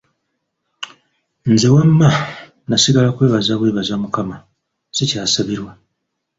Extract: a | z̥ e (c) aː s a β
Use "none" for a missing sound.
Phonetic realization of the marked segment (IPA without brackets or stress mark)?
c